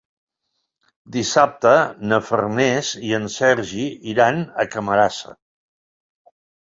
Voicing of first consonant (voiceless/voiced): voiced